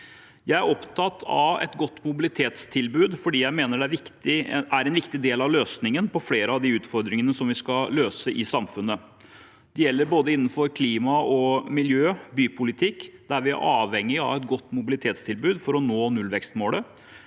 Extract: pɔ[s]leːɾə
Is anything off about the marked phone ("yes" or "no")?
yes